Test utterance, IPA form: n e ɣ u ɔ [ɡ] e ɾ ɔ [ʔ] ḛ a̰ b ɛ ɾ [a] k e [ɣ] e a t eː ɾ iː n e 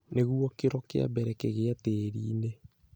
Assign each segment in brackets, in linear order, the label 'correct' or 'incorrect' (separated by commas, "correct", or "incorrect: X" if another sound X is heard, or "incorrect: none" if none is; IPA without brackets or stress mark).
incorrect: k, incorrect: k, incorrect: ɛ, correct